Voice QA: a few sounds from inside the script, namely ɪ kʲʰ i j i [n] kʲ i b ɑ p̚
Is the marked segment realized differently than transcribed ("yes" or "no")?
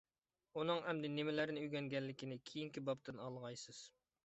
yes